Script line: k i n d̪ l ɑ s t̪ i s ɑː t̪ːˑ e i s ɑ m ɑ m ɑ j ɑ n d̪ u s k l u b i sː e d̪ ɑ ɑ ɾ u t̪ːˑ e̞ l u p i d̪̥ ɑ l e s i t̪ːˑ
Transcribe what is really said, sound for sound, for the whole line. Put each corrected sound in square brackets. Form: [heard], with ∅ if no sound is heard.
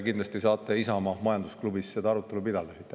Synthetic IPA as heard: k i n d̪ l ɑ s t̪ i s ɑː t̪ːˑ e i s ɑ m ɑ m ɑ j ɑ n d̪ u s k l u b i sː e d̪ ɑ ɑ ɾ u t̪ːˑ e̞ l u p i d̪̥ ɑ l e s i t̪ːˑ